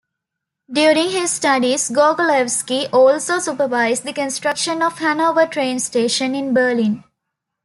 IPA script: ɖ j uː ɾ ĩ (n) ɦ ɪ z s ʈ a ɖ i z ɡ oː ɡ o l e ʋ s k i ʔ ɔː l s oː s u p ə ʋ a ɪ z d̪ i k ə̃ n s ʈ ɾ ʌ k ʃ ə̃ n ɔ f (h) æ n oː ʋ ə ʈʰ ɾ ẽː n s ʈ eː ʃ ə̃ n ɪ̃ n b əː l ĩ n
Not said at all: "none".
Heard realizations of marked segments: ŋ, h

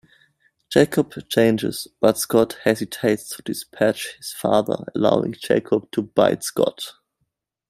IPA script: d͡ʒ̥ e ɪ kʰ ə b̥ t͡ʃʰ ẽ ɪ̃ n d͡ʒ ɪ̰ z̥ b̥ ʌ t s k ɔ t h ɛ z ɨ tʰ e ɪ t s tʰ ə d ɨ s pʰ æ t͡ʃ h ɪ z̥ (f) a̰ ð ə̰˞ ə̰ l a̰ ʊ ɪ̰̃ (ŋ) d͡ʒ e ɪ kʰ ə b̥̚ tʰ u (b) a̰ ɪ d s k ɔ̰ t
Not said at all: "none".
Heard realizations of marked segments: f, ŋ, b

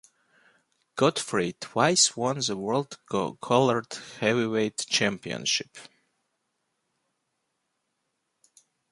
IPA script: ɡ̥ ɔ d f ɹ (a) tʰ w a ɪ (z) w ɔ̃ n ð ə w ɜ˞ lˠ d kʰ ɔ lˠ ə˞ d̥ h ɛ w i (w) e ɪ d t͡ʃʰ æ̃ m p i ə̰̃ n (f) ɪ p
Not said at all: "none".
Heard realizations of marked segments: i, s, w, ʃ

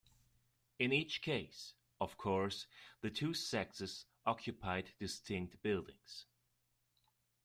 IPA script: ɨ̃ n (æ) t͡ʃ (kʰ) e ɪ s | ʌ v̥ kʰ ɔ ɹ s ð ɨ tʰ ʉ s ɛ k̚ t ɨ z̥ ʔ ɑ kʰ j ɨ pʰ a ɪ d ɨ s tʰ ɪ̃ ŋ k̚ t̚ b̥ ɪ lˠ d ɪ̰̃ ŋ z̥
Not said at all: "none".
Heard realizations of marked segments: i, kʰ

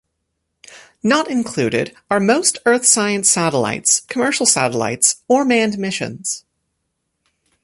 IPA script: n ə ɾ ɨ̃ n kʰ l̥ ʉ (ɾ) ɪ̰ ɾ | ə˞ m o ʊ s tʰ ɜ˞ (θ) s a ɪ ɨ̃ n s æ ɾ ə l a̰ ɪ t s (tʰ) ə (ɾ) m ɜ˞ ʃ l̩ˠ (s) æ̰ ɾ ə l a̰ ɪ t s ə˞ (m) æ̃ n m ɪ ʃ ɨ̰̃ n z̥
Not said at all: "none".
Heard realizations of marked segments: ɾ, θ, kʰ, none, s, m

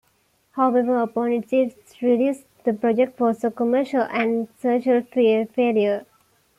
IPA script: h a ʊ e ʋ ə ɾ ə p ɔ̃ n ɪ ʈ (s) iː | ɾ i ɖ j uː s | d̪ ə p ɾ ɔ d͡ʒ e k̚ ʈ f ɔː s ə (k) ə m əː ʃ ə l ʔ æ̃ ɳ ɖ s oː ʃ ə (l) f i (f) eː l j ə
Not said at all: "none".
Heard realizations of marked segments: s, k, l, f

